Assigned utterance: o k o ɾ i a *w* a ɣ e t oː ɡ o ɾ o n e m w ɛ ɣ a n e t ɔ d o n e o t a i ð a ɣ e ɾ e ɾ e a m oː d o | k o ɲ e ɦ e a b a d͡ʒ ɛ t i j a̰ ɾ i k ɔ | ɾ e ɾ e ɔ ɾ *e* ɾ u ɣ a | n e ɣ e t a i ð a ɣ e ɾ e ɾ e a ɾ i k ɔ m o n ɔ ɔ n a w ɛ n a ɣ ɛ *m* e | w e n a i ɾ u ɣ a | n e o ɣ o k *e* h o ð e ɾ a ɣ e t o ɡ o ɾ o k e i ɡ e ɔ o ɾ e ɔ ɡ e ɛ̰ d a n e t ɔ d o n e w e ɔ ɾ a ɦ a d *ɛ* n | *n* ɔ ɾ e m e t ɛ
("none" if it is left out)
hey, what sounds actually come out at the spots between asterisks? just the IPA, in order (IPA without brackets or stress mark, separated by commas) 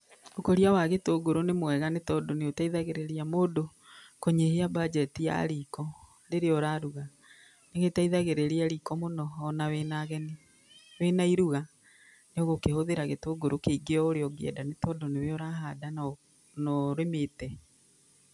w, a, n, e, a, n